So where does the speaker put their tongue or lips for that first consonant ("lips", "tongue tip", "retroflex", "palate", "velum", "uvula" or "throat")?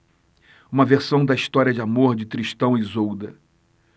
lips